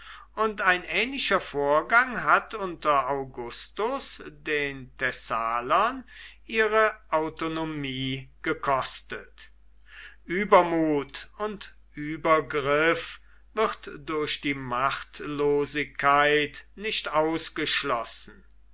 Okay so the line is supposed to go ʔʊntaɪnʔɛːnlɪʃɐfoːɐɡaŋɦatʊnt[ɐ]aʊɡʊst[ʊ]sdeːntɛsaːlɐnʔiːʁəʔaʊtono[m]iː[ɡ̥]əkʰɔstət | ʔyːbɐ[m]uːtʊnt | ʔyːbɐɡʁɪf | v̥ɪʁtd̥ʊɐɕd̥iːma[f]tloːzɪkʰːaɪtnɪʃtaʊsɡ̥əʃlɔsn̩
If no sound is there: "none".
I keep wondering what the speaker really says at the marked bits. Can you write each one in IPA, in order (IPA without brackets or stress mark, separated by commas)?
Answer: ɐ, ʊ, m, ɡ̥, m, χ